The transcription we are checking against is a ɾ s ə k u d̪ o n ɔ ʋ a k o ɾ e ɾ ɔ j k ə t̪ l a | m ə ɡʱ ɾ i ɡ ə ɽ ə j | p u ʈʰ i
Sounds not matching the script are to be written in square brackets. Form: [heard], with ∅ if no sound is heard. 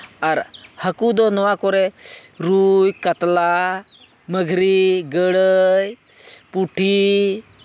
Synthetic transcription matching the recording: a ɾ [h] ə k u d̪ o n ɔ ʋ a k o ɾ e ɾ [u] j k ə t̪ l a | m ə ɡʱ ɾ i ɡ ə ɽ ə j | p u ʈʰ i